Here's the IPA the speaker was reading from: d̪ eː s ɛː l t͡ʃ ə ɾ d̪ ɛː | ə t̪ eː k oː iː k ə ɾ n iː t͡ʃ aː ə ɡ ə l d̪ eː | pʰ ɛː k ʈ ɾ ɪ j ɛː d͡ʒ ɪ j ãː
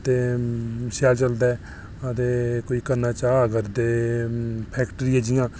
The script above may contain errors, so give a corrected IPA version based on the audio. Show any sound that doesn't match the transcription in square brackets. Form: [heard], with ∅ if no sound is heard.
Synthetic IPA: [t̪] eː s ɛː l t͡ʃ ə [l] d̪ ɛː | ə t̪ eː k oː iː k ə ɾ n [aː] t͡ʃ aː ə ɡ ə [ɾ] d̪ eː | pʰ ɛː k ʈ ɾ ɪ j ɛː d͡ʒ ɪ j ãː

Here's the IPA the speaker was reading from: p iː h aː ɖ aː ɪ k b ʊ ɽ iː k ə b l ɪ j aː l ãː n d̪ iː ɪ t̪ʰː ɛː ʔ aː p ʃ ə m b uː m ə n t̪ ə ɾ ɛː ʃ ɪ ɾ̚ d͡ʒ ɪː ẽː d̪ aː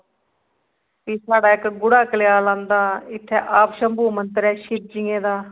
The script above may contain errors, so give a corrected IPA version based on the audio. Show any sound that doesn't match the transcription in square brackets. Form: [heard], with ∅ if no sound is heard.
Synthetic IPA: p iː [s] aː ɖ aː ɪ k [ɡ] ʊ ɽ [aː] k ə [∅] l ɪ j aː l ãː n d̪ [aː] ɪ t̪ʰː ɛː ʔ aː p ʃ ə m b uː m ə n t̪ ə ɾ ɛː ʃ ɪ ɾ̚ d͡ʒ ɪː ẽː d̪ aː

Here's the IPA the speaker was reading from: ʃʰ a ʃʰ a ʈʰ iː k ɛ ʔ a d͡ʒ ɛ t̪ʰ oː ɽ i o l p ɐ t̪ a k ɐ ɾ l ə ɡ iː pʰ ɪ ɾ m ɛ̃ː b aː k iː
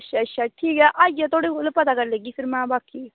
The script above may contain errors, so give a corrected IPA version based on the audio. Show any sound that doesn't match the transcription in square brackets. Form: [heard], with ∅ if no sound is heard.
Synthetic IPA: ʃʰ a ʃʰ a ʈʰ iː k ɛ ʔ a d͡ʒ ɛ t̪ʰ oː ɽ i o l p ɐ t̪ a k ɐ ɾ l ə ɡ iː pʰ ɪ ɾ m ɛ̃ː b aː k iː

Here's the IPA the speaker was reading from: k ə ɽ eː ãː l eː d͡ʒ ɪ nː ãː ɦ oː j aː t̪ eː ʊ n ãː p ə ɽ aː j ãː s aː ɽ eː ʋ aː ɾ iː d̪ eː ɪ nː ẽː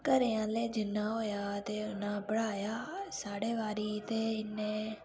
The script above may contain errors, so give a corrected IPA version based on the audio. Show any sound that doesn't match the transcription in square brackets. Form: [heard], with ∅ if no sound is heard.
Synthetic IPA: k ə [ɾ] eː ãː l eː d͡ʒ ɪ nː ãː ɦ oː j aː t̪ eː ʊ n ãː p ə ɽ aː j [aː] s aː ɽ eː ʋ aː ɾ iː [t̪] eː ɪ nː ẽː

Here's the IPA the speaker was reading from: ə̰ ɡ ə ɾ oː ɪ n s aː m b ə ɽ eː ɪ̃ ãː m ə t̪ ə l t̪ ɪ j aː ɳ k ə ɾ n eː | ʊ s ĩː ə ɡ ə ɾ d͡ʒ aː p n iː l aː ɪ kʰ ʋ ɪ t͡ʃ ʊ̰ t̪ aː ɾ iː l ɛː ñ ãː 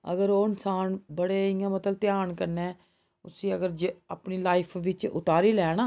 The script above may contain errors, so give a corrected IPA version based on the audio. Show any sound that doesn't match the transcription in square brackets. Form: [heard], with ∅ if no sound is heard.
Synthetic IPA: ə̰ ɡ ə ɾ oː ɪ n s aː [n] b ə ɽ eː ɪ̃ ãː m ə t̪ ə l t̪ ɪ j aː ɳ k ə ɾ n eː | ʊ s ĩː ə ɡ ə ɾ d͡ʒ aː p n iː l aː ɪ [pʰ] ʋ ɪ t͡ʃ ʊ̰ t̪ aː ɾ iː l ɛː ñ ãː

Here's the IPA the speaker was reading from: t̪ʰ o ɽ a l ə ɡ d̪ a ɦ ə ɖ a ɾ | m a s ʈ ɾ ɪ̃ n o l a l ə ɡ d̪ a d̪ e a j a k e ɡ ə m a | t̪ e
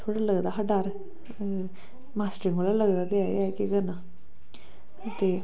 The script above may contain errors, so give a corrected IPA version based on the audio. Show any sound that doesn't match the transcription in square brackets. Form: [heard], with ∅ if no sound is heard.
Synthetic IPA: t̪ʰ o ɽ a l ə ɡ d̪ a ɦ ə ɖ a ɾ | m a s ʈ ɾ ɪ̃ [ŋ] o l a l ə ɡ d̪ a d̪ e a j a k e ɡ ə [n] a | t̪ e

